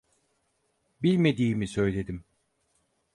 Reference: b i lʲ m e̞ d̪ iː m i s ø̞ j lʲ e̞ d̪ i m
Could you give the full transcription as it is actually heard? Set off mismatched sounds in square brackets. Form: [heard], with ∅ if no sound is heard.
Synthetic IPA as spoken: b i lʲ m e̞ d̪ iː m i s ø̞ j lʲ e̞ d̪ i m

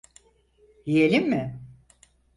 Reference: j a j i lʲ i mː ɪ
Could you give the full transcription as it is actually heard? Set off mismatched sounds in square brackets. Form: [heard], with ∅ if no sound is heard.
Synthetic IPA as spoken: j [i] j [e] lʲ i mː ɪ

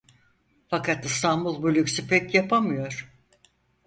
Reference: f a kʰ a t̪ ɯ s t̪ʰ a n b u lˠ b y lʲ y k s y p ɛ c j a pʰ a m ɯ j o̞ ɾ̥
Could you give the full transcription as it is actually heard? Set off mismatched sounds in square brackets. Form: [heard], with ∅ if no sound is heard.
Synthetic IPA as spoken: f a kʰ a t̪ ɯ s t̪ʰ a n b u lˠ b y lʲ y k s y p ɛ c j a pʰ a m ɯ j o̞ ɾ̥

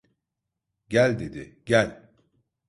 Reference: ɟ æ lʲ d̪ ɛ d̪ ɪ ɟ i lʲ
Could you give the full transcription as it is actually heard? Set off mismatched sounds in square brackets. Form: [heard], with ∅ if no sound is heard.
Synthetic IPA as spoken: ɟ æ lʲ d̪ [e] d̪ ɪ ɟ [æ] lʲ

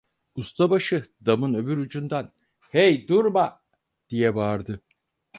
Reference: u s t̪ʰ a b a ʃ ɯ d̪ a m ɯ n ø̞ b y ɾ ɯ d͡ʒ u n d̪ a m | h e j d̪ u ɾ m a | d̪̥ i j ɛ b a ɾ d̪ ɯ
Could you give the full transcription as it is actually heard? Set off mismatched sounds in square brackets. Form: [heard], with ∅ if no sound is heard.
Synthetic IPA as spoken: u s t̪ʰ a b a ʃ ɯ d̪ a m ɯ n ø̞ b y ɾ [u] d͡ʒ u n d̪ a [n] | h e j d̪ u ɾ m a | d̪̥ i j ɛ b a ɾ d̪ ɯ

